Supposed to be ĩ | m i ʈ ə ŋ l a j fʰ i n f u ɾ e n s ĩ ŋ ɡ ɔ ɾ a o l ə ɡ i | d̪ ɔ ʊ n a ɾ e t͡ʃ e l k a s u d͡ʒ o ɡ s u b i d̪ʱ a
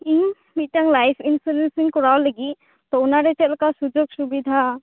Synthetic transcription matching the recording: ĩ | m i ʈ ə ŋ l a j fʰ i n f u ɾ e n s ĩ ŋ k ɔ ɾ a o l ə ɡ i | t̪ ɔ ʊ n a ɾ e t͡ʃ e l k a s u d͡ʒ o ɡ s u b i d̪ʱ a